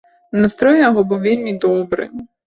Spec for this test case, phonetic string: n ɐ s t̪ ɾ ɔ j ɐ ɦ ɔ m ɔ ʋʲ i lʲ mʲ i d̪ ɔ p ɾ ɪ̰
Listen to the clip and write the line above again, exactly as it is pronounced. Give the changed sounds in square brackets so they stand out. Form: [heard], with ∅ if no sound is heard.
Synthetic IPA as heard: n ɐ s t̪ ɾ ɔ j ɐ ɦ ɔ [b] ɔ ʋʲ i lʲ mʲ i d̪ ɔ [b] ɾ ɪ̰